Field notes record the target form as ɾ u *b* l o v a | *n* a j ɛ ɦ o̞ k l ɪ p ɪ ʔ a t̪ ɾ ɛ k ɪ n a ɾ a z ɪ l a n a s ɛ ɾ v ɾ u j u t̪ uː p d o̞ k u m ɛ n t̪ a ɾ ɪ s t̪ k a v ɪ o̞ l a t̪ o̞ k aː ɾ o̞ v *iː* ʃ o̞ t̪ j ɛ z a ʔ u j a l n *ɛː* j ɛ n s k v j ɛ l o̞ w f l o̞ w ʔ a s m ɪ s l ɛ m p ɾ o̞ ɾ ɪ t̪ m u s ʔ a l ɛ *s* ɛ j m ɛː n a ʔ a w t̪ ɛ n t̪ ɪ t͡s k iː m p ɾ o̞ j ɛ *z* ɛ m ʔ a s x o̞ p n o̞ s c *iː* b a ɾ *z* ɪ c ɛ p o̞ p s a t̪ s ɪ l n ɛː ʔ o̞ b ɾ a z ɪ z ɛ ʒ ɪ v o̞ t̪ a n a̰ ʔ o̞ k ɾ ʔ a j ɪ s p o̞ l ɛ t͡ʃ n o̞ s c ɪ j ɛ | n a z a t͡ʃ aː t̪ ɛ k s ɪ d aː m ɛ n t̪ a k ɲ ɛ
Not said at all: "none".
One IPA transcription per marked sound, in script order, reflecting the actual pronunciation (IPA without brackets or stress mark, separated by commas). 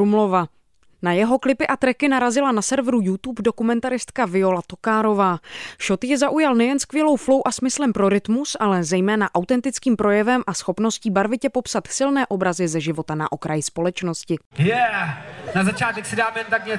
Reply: m, n, aː, ɛ, z, v, iː, v